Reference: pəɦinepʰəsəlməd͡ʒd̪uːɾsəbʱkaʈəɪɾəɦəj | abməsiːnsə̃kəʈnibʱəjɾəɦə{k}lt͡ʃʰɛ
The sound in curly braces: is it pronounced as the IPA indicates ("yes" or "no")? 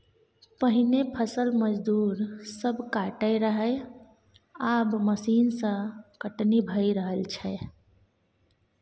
no